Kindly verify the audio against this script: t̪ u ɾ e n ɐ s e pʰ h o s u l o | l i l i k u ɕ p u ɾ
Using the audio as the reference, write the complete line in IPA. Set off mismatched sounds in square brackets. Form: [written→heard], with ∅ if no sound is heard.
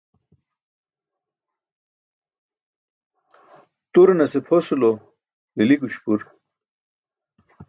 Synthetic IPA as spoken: t̪ u ɾ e n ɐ s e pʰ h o s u l o | l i l i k u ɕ p u ɾ